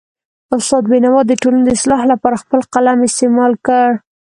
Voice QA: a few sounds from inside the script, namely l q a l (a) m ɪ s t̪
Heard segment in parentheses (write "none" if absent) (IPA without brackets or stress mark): a